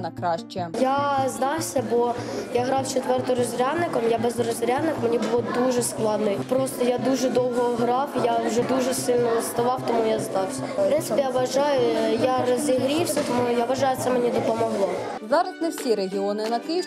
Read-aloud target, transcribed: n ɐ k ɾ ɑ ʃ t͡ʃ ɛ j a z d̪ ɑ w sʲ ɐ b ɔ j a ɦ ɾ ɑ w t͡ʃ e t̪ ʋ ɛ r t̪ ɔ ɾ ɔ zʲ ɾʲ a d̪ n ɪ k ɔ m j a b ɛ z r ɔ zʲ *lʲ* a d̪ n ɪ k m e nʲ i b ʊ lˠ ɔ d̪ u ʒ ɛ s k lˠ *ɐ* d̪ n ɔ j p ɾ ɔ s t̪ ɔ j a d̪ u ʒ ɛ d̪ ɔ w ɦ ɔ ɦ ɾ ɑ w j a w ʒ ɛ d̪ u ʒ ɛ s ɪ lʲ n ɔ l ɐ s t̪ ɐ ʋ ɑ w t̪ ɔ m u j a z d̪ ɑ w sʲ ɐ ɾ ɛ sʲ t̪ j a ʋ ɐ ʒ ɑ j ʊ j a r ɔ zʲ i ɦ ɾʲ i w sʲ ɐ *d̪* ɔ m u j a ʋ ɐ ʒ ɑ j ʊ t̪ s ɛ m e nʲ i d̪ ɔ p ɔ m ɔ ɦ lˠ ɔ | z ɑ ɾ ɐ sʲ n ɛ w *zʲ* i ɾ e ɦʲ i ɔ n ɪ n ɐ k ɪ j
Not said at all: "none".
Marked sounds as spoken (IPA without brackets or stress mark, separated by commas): ɾʲ, ɑ, t̪, sʲ